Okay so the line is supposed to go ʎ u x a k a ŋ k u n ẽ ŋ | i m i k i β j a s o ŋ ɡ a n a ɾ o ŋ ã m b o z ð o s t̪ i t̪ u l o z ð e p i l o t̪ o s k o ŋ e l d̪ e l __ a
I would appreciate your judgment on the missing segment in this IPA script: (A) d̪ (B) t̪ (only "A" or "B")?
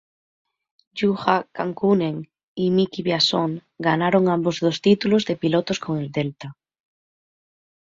B